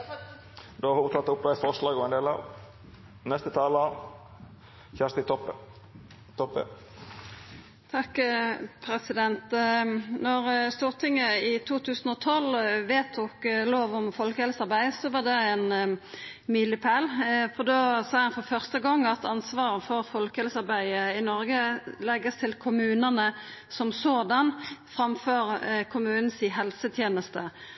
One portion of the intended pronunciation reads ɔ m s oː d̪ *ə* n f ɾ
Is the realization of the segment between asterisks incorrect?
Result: yes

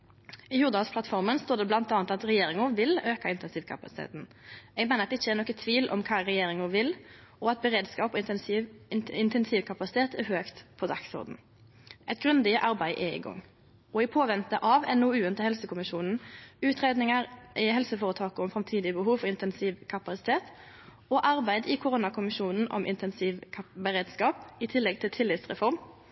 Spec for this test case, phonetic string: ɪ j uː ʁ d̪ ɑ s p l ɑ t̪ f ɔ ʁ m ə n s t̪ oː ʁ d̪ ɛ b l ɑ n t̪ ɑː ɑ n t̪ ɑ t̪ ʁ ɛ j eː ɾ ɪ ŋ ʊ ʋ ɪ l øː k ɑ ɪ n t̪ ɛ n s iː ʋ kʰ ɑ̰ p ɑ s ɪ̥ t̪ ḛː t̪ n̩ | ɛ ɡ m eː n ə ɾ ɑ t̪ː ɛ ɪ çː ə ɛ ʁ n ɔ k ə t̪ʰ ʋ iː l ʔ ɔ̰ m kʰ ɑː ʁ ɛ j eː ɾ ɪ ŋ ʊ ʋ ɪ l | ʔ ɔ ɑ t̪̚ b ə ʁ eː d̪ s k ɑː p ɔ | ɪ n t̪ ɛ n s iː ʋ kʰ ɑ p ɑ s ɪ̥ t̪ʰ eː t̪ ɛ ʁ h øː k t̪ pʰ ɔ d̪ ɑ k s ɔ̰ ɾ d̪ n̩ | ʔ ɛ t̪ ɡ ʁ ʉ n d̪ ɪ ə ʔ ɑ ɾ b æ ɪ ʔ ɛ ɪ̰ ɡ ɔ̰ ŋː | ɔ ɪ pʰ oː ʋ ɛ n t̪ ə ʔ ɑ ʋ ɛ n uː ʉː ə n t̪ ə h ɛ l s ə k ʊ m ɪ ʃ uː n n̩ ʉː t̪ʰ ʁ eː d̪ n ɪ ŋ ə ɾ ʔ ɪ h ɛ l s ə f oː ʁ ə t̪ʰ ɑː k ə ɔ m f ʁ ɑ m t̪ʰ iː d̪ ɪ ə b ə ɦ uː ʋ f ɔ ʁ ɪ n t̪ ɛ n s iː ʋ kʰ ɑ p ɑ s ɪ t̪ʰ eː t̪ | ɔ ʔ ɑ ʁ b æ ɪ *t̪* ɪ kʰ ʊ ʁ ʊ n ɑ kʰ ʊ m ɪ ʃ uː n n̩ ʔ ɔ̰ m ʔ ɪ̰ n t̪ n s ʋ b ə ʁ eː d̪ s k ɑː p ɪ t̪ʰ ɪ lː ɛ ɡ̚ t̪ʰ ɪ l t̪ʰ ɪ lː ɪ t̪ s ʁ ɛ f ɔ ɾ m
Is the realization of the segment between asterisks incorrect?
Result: yes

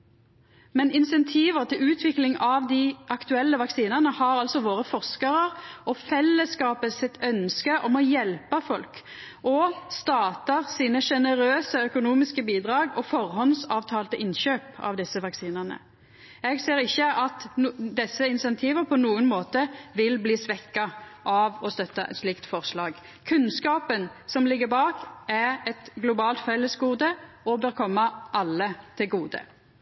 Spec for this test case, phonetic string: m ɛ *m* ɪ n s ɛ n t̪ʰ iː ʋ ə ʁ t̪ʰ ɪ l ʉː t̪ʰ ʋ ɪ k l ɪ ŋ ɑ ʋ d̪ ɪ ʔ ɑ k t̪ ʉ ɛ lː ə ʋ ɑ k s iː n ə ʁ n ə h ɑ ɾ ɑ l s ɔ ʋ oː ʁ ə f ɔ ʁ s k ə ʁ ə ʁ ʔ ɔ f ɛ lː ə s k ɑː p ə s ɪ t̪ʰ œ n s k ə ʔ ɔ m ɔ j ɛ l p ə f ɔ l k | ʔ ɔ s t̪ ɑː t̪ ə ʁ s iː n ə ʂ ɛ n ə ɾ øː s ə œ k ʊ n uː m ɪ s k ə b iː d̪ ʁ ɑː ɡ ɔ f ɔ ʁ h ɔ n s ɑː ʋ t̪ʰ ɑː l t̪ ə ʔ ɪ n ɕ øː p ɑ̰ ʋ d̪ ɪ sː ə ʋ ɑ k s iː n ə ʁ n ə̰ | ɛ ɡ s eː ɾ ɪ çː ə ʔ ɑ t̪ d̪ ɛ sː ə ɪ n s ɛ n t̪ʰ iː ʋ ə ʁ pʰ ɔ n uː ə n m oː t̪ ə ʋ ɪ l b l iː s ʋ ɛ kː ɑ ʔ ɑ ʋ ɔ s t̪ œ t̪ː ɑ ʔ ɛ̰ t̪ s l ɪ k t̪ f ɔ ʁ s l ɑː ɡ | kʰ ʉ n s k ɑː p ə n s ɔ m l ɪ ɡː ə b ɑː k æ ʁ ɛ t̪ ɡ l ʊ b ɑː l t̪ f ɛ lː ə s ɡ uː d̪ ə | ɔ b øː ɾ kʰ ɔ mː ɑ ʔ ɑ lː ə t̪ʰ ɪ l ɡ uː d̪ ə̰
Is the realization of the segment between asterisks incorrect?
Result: yes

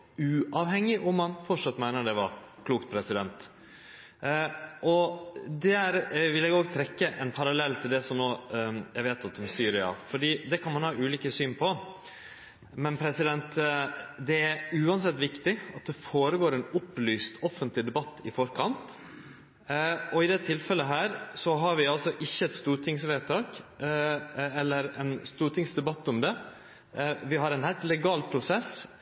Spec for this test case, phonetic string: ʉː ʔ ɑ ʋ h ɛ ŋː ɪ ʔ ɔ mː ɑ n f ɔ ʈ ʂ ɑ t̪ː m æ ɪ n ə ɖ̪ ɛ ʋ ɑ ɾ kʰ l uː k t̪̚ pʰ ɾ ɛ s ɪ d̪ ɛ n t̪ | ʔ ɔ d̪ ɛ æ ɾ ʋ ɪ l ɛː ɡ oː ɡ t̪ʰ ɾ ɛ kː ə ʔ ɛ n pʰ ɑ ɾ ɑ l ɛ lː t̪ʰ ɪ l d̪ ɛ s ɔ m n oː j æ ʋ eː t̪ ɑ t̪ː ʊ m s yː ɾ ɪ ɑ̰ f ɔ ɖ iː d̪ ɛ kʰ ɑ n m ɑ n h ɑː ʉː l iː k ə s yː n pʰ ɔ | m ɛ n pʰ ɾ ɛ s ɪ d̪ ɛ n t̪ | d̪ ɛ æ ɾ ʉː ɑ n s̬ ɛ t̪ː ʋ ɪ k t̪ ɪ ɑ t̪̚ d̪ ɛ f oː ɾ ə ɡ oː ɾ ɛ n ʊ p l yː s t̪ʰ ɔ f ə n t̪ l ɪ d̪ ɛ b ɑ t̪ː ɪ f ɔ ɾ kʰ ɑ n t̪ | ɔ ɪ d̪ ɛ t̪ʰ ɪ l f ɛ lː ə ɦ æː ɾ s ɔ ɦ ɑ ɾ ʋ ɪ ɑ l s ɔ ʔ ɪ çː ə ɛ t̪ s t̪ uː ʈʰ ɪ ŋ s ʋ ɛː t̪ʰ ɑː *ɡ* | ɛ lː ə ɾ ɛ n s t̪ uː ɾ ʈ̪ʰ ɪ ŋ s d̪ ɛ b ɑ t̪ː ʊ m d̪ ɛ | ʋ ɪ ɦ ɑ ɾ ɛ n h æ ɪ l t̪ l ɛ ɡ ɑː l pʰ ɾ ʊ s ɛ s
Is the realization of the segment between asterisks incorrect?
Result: yes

